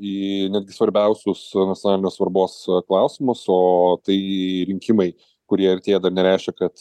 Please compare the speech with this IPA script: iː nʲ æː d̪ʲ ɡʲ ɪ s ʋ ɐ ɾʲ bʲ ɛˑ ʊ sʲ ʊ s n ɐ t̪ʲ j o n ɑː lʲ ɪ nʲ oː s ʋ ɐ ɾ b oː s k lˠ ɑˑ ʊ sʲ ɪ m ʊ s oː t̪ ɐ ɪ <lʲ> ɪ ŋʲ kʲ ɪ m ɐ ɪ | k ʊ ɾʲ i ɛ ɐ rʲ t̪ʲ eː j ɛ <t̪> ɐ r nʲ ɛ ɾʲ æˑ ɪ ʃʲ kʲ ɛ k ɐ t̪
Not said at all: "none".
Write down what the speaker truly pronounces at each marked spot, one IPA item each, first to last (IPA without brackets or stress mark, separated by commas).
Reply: ɾʲ, d̪